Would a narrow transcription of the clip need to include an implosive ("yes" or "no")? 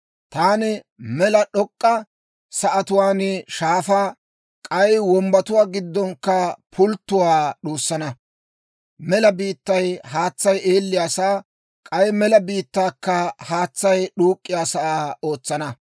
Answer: yes